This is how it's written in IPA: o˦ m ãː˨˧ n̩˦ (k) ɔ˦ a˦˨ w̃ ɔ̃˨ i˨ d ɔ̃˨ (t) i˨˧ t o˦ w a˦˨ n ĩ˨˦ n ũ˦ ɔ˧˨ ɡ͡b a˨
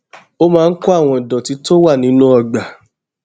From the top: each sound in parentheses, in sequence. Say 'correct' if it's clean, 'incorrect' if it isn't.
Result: correct, correct

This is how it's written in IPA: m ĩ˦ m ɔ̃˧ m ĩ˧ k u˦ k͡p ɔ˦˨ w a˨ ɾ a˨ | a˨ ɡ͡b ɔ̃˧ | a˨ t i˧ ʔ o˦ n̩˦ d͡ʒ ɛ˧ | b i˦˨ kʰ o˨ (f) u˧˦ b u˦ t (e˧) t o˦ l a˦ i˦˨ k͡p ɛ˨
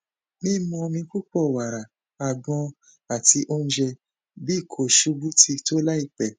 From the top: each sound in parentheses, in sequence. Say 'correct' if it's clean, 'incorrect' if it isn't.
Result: incorrect, incorrect

